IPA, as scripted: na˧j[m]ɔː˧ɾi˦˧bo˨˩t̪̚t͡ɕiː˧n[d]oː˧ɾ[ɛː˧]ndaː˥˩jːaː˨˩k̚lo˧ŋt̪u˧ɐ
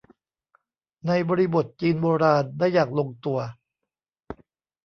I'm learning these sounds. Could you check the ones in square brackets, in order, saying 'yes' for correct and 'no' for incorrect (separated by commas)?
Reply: no, no, no